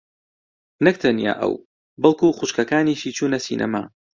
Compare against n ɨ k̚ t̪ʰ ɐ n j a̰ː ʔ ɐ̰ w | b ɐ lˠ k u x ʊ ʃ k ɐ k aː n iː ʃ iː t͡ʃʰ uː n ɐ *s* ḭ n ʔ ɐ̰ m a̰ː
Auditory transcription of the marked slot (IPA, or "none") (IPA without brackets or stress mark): s